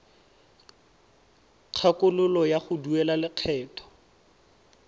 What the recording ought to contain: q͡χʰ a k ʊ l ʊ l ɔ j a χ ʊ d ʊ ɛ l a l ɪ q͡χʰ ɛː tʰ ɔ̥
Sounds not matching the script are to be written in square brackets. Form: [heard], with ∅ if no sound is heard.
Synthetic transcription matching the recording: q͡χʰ a k ʊ l ʊ l ɔ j a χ ʊ d [u] ɛ l a l ɪ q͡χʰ ɛː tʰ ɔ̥

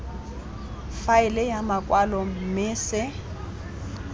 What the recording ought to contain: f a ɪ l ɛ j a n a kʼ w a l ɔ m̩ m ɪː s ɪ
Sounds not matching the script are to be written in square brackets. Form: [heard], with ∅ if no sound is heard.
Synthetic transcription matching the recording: f a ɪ l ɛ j a [m] a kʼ w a l ɔ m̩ m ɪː s ɪ

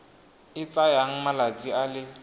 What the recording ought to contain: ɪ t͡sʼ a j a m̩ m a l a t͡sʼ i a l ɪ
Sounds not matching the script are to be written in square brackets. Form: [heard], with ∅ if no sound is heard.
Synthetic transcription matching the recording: ɪ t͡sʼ a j a [ŋ̩] m a l a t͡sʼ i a l ɪ

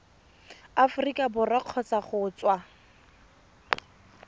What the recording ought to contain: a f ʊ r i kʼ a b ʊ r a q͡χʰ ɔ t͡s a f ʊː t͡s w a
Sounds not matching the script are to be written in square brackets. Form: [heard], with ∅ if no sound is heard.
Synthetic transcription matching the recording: a f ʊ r i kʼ a b ʊ r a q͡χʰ ɔ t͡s a [χ] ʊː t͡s w a

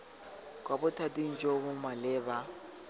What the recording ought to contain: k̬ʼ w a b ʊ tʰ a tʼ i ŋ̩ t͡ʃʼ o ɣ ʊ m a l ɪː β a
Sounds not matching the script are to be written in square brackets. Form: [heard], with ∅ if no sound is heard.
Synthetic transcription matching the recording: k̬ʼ w a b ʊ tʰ a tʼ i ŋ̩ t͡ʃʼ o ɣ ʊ m a l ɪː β a

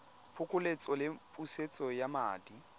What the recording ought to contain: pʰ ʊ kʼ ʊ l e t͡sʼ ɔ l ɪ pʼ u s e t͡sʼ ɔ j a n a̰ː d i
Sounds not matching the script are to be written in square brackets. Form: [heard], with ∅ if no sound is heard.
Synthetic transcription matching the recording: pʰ ʊ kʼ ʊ l e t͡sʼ ɔ l ɪ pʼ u s e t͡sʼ ɔ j a [m] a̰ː d i

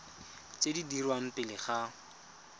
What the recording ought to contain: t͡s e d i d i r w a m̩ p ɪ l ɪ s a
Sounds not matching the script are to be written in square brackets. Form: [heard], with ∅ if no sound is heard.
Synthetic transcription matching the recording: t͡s e d i d i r w a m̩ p ɪ l ɪ [χ] a

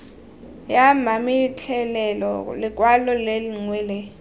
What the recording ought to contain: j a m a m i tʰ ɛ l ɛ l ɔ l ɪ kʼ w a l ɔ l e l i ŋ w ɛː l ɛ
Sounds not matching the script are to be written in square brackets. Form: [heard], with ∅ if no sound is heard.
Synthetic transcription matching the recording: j a m a m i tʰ ɛ l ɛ l ɔ l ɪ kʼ w a l ɔ l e l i ŋ w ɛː l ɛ

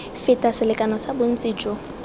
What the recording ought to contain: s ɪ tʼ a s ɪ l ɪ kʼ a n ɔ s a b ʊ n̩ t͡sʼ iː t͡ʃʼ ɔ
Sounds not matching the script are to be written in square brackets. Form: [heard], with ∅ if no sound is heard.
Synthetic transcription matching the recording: [f] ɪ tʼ a s ɪ l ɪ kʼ a n ɔ s a b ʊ n̩ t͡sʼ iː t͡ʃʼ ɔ

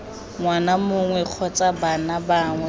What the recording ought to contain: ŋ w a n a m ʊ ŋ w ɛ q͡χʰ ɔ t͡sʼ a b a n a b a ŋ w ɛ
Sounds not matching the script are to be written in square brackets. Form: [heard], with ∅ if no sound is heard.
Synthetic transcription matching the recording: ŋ w a n a m ʊ ŋ w ɛ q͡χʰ ɔ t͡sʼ a b a n a b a ŋ w ɛ

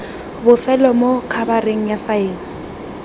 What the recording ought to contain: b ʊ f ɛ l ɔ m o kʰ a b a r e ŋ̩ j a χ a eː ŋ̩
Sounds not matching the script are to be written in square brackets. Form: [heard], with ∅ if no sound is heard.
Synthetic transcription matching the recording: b ʊ f ɛ l ɔ m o kʰ a b a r e ŋ̩ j a [f] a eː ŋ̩

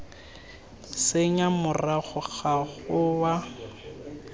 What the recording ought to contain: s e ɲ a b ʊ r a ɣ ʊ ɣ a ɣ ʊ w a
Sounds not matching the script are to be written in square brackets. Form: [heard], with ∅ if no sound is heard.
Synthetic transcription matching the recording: s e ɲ a [m] ʊ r a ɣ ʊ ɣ a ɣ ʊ w a

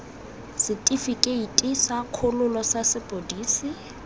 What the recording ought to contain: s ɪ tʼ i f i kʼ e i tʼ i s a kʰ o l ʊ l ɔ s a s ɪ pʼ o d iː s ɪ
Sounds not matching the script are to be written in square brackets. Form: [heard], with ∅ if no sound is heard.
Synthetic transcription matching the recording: s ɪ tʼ i f i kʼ e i tʼ i s a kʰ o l ʊ l ɔ s a s ɪ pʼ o d iː s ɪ

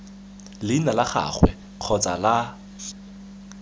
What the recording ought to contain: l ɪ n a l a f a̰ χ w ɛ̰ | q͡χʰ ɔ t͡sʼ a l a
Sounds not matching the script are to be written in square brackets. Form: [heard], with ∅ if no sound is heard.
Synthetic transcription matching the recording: l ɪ n a l a [χ] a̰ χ w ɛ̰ | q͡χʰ ɔ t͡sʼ a l a

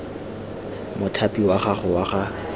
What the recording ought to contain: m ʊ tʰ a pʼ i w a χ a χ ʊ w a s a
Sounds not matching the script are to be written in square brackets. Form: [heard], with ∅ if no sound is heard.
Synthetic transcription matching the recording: m ʊ tʰ a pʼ i w a χ a χ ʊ w a [χ] a

